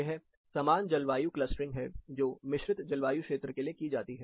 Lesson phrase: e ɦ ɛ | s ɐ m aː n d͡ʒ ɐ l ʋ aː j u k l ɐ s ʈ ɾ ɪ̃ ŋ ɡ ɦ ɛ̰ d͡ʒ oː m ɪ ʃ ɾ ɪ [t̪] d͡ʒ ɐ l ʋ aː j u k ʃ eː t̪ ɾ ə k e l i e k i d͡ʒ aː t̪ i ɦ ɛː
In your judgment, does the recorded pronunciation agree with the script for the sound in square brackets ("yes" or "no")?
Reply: yes